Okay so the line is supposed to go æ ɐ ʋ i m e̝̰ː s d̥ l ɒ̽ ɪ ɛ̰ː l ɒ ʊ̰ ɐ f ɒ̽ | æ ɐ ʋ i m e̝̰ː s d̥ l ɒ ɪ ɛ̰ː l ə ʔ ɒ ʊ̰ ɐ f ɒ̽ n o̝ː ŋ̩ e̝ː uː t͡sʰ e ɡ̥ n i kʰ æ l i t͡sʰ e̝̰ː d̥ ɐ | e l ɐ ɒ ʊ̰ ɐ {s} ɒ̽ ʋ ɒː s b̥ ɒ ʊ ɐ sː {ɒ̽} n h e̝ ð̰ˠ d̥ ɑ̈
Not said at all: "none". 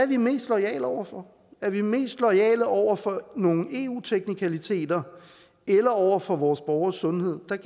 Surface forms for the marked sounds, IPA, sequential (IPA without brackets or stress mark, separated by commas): f, ɔ̽